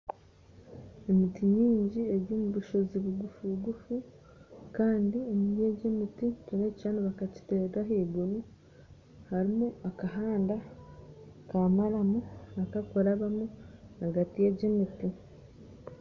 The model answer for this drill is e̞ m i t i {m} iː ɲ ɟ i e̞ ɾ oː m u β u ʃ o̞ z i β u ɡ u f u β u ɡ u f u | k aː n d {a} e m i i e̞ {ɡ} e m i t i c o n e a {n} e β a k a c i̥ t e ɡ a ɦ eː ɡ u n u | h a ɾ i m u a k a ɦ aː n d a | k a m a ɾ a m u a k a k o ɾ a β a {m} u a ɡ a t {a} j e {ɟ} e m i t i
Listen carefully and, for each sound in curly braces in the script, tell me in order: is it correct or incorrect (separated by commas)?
incorrect, incorrect, incorrect, correct, correct, incorrect, correct